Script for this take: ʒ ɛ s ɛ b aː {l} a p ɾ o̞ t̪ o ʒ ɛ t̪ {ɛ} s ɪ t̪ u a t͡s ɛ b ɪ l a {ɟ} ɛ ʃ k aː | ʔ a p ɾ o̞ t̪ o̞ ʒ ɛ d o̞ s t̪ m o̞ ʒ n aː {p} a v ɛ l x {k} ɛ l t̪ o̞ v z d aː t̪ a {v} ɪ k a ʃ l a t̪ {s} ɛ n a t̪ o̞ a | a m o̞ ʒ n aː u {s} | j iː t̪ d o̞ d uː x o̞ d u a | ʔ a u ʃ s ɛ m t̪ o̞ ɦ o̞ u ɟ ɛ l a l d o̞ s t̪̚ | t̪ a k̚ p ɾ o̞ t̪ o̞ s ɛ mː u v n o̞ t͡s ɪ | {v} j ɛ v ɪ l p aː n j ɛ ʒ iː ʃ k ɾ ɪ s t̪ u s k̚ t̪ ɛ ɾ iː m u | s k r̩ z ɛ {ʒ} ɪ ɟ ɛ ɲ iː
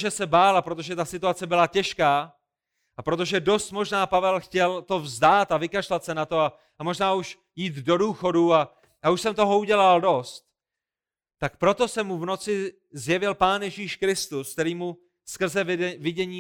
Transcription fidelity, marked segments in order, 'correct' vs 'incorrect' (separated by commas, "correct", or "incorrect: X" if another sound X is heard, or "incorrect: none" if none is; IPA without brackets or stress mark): correct, incorrect: a, incorrect: c, correct, incorrect: c, correct, correct, incorrect: ʃ, incorrect: z, incorrect: v